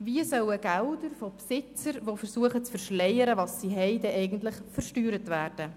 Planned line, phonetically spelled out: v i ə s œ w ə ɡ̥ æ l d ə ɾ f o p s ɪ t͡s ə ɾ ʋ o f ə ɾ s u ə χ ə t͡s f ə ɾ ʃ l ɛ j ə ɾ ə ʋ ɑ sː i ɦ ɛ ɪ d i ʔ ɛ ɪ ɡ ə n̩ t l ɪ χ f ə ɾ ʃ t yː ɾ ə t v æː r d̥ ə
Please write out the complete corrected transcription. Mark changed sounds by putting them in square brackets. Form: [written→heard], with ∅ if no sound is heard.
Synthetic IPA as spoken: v i ə s œ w ə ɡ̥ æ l d ə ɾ f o p s ɪ t͡s ə ɾ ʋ o f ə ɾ s u ə χ ə t͡s f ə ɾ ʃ l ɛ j ə ɾ ə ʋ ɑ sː i ɦ ɛ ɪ d [i→ɛ] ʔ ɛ ɪ ɡ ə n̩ t l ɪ χ f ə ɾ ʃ t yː ɾ ə t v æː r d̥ ə